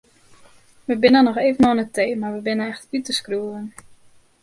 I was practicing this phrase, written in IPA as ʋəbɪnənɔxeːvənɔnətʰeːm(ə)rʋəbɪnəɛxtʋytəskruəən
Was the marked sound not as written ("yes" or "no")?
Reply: yes